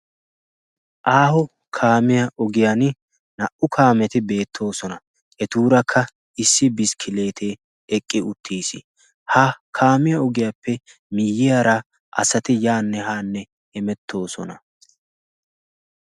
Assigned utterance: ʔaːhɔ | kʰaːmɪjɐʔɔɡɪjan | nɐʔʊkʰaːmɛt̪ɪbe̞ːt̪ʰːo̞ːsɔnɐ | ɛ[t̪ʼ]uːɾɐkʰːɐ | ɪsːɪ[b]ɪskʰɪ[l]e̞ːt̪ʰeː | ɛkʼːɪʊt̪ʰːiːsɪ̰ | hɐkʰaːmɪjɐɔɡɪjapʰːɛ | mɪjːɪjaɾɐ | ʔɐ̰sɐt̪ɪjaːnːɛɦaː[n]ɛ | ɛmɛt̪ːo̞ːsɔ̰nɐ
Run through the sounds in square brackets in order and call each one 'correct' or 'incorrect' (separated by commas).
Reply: incorrect, correct, correct, incorrect